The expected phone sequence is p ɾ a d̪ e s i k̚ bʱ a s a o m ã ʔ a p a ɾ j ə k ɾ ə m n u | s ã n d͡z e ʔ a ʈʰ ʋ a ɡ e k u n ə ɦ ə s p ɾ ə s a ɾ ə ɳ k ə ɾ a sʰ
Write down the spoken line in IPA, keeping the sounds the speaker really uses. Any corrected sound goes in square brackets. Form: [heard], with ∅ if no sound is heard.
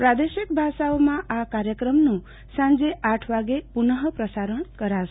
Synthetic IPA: p ɾ a d̪ e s i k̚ bʱ a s a o m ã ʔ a [k] a ɾ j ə k ɾ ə m n u | s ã n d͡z e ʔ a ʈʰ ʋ a ɡ e [p] u n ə ɦ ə [∅] p ɾ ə s a ɾ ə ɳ k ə ɾ a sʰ